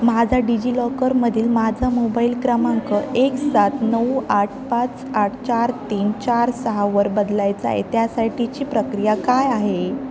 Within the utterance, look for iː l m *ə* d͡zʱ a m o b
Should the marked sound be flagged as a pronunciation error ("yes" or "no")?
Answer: yes